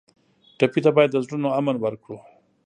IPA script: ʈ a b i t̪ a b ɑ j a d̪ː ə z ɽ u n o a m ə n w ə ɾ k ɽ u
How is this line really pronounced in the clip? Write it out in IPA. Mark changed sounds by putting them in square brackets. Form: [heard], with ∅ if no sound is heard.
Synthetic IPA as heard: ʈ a [p] i t̪ a b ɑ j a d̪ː ə z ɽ u n o a m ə n w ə ɾ k ɽ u